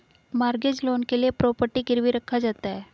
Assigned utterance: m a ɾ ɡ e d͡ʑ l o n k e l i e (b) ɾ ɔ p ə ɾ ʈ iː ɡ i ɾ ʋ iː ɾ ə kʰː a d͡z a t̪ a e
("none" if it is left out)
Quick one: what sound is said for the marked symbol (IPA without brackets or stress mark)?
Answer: p